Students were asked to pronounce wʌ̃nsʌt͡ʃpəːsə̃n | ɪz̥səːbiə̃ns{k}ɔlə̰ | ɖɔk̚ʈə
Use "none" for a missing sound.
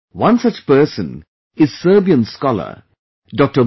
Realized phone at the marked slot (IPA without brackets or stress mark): k